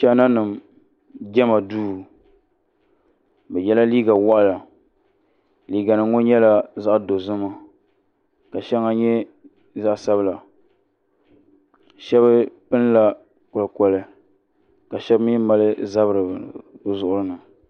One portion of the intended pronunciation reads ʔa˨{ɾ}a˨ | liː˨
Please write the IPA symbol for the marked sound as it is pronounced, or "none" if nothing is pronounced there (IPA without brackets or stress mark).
l